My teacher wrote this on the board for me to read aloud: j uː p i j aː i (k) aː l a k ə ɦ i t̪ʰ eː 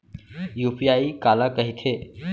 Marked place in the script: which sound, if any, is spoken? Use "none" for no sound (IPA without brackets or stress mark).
k